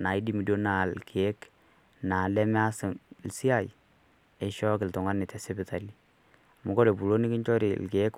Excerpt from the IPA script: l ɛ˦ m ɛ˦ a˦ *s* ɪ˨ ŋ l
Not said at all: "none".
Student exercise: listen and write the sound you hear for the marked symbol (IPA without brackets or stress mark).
s